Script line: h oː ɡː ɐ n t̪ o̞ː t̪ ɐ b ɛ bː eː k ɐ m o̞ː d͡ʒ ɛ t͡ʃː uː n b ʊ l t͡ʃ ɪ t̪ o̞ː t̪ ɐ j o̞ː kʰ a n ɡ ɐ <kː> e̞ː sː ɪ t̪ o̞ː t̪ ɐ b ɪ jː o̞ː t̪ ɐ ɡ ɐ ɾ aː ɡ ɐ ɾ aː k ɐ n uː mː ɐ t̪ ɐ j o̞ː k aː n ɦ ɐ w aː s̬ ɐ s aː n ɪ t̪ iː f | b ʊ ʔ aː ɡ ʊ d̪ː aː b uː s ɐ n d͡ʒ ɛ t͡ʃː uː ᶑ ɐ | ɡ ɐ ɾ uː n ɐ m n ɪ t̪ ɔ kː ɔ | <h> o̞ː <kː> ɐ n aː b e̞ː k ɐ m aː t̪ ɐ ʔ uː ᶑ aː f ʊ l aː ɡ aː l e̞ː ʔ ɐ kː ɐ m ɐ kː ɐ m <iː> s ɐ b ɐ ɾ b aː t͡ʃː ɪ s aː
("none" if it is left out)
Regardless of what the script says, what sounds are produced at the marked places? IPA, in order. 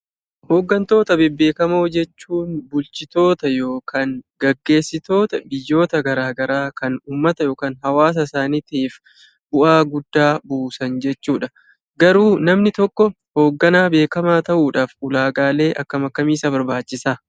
ɡː, h, ɡː, iː

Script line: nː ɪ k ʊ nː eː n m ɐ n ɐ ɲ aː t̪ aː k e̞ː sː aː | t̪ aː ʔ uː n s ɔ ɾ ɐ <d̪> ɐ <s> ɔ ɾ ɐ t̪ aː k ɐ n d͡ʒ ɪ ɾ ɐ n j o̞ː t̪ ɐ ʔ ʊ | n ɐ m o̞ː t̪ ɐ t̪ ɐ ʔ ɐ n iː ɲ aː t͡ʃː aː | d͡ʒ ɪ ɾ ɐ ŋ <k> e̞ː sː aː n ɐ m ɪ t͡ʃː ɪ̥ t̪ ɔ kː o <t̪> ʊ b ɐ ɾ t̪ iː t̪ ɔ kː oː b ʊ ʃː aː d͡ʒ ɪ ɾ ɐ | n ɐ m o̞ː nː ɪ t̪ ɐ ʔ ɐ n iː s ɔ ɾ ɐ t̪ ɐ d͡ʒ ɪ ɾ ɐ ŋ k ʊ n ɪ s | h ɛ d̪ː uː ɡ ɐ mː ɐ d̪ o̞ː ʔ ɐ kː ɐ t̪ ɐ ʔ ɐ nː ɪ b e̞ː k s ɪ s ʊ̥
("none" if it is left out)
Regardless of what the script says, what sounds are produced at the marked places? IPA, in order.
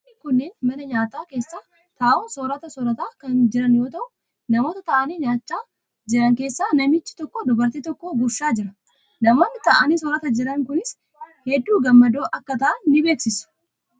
t̪, s, k, d̪

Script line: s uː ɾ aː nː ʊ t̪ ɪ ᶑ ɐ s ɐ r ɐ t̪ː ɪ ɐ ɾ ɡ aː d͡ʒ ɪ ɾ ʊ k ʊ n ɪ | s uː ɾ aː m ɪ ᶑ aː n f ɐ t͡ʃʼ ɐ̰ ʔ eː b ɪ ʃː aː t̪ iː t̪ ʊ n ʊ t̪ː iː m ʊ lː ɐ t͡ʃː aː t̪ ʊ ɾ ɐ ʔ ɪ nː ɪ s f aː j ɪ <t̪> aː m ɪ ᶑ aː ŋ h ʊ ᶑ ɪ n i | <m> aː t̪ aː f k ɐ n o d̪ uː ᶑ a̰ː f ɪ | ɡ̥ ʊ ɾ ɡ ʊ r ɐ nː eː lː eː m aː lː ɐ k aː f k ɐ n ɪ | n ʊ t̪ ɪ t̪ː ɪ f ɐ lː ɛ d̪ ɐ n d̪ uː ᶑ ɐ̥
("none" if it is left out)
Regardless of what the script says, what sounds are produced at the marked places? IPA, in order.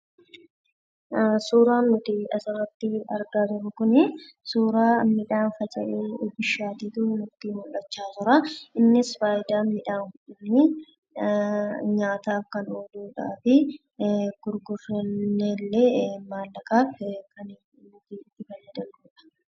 d̪, ɲ

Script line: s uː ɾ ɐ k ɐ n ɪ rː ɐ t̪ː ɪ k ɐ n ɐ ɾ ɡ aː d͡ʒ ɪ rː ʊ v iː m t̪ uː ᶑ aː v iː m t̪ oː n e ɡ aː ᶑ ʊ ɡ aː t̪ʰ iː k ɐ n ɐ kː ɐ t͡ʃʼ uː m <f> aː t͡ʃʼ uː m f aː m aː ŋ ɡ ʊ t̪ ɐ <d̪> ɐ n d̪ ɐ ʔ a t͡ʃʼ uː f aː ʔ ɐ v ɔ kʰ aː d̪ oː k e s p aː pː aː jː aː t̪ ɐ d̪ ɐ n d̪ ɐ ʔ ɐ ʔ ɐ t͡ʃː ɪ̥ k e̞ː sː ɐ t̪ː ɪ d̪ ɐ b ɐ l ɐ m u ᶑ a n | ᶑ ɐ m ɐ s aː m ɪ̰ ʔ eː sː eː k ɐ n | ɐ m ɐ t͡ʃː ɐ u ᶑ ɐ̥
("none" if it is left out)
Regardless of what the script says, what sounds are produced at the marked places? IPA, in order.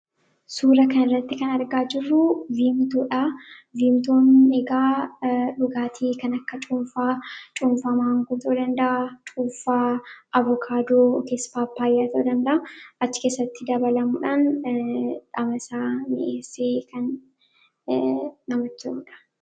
f, d̪

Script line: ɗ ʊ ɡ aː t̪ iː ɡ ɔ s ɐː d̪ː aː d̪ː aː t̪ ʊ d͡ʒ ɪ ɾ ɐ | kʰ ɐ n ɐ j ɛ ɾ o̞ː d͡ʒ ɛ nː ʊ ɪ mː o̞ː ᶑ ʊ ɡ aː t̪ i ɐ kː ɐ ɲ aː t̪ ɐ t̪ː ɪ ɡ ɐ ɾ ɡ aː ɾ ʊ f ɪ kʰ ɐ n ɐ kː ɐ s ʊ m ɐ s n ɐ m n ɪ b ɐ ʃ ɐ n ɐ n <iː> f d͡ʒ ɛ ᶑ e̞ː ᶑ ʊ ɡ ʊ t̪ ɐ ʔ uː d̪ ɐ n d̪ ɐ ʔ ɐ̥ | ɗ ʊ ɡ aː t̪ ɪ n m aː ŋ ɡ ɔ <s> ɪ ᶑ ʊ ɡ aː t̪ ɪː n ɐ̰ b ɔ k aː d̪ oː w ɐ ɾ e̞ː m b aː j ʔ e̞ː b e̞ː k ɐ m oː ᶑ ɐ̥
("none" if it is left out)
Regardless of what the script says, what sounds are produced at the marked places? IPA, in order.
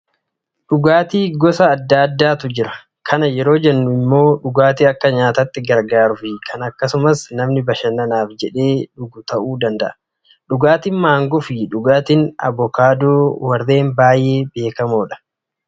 aː, f

